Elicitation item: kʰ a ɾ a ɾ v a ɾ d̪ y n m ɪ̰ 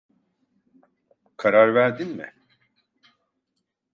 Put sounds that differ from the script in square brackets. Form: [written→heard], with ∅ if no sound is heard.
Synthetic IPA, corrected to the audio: kʰ a ɾ a ɾ v [a→æ] ɾ d̪ [y→i] n m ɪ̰